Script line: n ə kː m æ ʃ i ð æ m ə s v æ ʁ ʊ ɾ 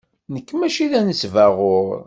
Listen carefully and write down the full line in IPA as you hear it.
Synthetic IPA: n ə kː m æ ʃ i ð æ n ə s v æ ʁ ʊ ɾ